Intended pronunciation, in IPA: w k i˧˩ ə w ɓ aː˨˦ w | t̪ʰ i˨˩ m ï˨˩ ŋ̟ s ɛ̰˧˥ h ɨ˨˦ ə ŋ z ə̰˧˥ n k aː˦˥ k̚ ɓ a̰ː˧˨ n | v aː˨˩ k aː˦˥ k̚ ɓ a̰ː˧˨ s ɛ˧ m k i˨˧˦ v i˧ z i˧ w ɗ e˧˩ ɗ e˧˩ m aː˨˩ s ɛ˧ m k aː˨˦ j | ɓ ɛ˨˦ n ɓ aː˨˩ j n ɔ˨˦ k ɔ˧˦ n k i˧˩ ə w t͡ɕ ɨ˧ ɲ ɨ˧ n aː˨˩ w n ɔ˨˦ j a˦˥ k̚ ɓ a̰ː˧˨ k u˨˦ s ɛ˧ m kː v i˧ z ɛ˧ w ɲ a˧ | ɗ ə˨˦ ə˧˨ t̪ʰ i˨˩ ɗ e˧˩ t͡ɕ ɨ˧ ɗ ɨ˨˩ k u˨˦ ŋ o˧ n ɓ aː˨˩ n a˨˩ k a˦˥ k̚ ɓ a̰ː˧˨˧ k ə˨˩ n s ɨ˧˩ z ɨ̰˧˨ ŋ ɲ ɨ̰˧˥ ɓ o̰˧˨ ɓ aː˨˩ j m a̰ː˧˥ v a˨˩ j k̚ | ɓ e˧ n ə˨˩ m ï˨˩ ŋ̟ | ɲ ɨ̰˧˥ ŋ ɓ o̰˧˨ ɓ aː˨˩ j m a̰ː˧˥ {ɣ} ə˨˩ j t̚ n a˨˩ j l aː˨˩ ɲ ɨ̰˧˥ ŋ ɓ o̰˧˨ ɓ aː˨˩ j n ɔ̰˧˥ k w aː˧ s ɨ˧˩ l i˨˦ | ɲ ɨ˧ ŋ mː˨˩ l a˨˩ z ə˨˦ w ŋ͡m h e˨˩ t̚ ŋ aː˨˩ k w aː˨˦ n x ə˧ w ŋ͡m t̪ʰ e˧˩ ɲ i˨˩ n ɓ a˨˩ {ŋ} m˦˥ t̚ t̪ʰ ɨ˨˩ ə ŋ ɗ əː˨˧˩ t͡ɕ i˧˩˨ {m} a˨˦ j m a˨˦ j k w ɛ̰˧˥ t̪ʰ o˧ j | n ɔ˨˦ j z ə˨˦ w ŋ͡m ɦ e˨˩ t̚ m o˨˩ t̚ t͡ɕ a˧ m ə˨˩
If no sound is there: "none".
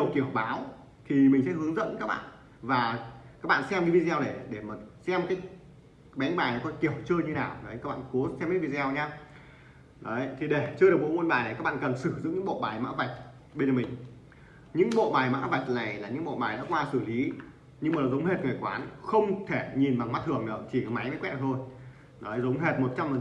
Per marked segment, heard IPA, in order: v, ŋ, m

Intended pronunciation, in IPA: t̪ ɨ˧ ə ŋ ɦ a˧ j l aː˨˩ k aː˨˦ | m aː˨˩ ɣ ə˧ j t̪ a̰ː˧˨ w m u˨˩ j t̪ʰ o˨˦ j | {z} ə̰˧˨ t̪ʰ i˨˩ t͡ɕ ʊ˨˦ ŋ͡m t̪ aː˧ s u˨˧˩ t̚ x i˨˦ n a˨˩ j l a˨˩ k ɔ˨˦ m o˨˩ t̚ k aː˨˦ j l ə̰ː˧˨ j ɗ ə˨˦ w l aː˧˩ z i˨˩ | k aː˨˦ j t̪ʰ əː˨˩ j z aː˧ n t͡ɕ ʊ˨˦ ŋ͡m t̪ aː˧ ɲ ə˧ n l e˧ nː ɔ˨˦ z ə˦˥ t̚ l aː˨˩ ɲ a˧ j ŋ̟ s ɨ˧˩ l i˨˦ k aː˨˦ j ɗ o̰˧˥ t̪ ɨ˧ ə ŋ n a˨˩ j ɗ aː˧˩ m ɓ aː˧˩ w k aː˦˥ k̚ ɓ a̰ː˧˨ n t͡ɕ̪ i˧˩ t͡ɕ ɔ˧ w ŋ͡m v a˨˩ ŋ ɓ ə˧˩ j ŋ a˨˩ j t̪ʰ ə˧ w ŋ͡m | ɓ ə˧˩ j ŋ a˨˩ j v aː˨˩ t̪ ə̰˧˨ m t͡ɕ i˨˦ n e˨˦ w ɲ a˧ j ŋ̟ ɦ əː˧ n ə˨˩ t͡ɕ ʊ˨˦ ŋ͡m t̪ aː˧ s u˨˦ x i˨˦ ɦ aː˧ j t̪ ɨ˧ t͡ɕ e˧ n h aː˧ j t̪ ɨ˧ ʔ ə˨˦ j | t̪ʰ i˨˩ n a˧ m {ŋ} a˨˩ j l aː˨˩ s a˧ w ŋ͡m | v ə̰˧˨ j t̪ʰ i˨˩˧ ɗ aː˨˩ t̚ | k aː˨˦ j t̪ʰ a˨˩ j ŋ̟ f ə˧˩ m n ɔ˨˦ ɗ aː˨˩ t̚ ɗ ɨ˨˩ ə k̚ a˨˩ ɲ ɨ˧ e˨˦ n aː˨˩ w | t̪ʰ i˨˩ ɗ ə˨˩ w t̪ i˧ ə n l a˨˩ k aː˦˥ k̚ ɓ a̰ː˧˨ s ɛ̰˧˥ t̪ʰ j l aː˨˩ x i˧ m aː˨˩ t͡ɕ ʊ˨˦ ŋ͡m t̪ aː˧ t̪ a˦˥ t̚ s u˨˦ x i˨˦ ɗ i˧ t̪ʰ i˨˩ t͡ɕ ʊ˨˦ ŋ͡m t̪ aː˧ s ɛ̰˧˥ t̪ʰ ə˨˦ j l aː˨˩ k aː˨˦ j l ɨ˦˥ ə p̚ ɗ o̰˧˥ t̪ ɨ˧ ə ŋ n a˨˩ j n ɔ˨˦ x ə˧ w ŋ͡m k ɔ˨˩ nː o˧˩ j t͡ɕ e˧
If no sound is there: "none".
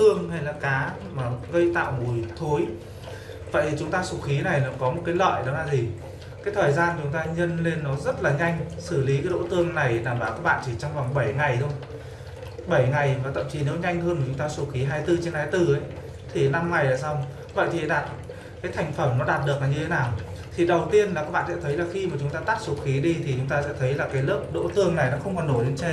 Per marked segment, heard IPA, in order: v, ŋ

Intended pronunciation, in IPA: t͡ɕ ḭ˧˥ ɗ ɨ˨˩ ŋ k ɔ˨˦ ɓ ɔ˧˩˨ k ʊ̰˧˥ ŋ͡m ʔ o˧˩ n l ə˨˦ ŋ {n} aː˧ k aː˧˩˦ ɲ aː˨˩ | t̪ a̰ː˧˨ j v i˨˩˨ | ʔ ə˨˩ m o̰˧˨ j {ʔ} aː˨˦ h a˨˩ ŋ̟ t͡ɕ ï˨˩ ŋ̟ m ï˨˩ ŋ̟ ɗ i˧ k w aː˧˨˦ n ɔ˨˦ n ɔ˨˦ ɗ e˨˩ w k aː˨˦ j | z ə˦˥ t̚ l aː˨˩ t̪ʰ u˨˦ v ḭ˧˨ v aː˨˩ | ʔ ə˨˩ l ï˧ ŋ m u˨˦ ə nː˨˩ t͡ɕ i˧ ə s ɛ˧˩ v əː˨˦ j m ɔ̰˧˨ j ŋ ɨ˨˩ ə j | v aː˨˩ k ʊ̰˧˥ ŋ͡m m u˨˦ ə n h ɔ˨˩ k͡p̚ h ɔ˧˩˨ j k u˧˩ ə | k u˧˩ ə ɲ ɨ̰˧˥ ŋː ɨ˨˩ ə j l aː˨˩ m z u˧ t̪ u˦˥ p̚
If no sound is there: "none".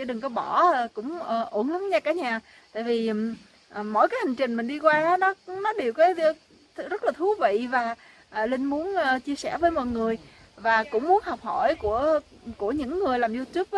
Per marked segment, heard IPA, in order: ɲ, k

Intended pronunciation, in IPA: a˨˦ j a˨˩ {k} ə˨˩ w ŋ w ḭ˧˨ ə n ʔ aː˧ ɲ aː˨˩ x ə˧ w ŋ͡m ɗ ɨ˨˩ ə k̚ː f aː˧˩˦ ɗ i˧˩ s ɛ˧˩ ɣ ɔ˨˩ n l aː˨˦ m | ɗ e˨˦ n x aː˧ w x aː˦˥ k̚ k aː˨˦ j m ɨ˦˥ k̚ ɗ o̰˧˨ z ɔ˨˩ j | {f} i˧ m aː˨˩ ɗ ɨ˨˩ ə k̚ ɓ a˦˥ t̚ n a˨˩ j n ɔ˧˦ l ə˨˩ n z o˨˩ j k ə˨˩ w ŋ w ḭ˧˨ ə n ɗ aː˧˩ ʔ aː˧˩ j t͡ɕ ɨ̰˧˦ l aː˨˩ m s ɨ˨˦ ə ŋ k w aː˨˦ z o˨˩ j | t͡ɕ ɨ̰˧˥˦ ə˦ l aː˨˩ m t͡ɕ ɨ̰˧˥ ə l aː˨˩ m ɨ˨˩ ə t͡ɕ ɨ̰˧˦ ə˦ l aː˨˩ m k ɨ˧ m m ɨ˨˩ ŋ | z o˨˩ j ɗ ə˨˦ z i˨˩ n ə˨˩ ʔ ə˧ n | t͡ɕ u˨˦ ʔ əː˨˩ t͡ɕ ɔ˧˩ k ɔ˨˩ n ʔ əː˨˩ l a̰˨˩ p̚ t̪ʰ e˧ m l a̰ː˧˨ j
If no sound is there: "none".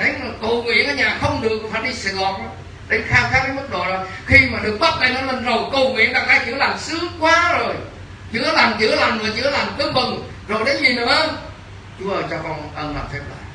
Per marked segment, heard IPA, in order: k, x

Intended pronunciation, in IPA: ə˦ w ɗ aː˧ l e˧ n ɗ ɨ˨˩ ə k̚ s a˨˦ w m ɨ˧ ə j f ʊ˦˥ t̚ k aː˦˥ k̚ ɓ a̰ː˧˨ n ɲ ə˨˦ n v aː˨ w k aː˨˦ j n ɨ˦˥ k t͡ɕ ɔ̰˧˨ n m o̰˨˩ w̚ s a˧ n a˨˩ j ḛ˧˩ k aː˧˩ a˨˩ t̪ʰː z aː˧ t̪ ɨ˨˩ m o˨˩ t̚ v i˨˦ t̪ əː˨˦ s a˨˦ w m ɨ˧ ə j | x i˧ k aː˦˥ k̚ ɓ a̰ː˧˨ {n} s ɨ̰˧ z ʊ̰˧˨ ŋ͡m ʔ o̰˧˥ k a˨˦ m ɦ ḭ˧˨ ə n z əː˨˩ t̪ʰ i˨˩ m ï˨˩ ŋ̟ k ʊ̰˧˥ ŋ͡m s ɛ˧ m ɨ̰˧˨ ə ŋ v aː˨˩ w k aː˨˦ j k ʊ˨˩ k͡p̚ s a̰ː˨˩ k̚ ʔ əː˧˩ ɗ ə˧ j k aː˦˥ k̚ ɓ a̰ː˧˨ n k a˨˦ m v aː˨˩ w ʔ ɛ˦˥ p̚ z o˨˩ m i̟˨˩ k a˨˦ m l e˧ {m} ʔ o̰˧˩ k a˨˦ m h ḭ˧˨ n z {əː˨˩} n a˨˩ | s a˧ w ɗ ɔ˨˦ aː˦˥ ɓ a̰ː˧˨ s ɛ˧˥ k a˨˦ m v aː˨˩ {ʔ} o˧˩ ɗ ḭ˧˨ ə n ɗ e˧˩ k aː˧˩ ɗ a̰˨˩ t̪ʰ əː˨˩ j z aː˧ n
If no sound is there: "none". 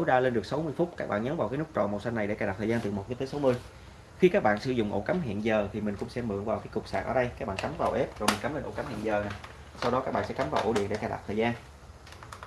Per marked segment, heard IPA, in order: n, n, əː˨˩, ʔ

